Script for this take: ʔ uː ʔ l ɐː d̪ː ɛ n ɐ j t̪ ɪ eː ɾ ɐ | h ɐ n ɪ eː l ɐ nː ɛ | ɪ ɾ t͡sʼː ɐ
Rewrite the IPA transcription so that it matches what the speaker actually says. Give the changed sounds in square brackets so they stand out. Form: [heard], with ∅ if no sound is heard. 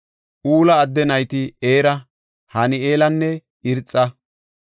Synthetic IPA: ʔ uː [∅] l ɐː d̪ː ɛ n ɐ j t̪ ɪ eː ɾ ɐ | h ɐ n ɪ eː l ɐ nː ɛ | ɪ ɾ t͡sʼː ɐ